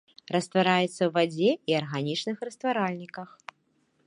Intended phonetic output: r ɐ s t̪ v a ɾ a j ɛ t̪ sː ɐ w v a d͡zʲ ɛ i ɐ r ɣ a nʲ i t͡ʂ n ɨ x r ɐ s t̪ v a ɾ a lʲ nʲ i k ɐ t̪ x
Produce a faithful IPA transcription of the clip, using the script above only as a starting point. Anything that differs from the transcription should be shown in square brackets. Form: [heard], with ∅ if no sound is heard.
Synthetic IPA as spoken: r ɐ s t̪ v a ɾ a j ɛ t̪ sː ɐ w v a d͡zʲ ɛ i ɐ r ɣ a nʲ i t͡ʂ n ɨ x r ɐ s t̪ v a ɾ a lʲ nʲ i k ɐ [∅] x